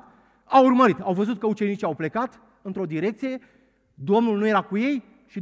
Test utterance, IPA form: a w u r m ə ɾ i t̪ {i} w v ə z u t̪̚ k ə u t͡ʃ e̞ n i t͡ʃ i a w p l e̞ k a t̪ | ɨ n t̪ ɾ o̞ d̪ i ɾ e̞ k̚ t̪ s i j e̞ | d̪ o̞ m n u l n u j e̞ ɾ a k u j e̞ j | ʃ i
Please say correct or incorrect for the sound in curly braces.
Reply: incorrect